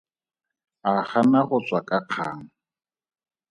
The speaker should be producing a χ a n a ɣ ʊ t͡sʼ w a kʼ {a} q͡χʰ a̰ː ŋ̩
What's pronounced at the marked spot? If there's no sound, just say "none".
a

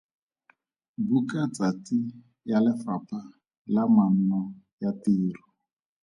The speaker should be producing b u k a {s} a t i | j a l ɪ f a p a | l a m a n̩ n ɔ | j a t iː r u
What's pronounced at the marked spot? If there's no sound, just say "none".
t͡s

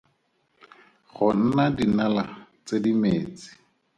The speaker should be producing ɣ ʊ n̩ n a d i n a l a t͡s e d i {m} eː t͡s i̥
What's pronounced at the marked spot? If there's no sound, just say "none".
m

